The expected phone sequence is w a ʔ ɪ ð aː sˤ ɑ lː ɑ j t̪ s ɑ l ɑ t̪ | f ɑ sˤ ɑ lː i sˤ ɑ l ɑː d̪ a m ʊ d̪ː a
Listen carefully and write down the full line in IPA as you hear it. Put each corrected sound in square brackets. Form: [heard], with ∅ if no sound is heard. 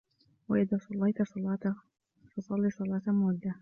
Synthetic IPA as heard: w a ʔ ɪ ð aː sˤ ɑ lː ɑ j t̪ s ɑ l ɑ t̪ | f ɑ sˤ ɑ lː i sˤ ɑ l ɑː [t̪] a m ʊ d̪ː a

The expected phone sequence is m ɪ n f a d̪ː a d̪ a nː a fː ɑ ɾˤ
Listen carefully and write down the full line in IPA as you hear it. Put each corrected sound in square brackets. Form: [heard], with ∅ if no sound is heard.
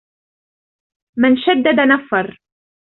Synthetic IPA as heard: m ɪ n [ʃ] a d̪ː a d̪ a [n] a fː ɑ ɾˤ

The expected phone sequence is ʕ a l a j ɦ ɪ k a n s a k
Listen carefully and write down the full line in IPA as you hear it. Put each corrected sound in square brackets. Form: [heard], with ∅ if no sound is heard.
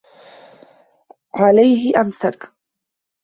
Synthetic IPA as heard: ʕ a l a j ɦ ɪ [ʔ] a [m] s a k

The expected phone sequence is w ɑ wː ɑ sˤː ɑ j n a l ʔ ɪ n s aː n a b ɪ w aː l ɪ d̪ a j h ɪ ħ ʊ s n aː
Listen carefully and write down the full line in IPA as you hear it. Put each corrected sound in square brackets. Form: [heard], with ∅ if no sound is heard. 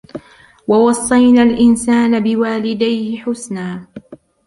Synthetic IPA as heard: w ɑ [w] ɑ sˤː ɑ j n a l ʔ ɪ n s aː n a b ɪ w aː l ɪ d̪ a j h ɪ ħ ʊ s n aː

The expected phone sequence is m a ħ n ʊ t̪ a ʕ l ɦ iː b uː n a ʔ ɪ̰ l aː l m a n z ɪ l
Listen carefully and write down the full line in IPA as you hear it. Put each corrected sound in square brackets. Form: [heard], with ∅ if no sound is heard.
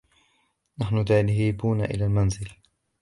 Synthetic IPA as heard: [n] a ħ n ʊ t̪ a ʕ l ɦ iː b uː n a ʔ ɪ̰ l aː l m a n z ɪ l

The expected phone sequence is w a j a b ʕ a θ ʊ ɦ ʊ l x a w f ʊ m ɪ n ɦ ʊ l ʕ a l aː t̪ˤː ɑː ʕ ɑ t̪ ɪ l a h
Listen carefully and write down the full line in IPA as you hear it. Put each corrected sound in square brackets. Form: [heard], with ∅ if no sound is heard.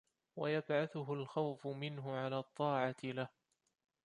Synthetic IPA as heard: w a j a b ʕ a θ ʊ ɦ ʊ l x a w f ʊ m ɪ n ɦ ʊ [∅] ʕ a l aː t̪ˤː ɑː ʕ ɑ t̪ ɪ l a h

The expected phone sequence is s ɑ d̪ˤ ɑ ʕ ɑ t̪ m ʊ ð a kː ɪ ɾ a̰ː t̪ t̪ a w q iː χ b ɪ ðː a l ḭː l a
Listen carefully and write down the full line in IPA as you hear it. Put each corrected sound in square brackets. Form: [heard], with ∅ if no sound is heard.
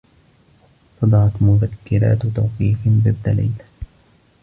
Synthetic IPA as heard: s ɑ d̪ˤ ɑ ʕ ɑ t̪ m ʊ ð a kː ɪ ɾ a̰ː t̪ t̪ a w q iː [f] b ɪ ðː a l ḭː l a

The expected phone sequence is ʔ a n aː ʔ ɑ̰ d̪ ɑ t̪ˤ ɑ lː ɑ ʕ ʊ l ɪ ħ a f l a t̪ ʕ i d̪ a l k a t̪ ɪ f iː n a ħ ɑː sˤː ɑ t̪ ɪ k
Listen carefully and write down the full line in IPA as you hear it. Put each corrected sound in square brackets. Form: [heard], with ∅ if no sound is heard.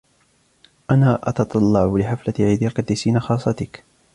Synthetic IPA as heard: ʔ a n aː ʔ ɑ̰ [t̪] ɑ t̪ˤ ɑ lː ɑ ʕ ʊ l ɪ ħ a f l a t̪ ʕ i d̪ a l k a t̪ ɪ [s] iː n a [x] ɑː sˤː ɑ t̪ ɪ k

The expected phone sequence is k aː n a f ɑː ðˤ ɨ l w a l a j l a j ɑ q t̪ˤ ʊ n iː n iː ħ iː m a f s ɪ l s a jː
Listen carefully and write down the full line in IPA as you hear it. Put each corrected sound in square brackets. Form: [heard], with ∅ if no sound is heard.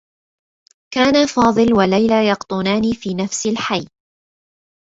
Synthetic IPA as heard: k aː n a f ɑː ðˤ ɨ l w a l a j l a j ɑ q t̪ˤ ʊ n [aː] n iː [f] iː [n] a f s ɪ l [ħ] a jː

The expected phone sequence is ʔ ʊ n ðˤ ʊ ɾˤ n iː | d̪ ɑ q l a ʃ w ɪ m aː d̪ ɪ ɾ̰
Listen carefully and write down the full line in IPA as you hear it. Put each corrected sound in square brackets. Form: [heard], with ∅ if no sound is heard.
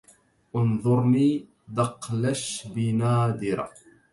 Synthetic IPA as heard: ʔ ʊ n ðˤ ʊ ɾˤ n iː | d̪ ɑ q l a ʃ [b] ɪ [n] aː d̪ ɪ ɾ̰

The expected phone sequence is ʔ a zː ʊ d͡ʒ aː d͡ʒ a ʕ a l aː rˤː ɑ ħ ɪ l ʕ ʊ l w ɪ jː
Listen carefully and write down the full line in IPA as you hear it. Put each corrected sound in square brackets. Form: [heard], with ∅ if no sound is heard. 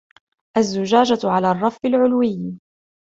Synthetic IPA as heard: ʔ a zː ʊ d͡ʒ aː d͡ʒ a ʕ a l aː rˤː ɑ [f] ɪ l ʕ ʊ l w ɪ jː

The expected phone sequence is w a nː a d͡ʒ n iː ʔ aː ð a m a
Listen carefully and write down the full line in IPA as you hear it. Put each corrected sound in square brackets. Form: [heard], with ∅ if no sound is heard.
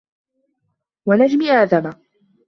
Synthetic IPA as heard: w a [n] a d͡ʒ [m] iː ʔ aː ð a m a

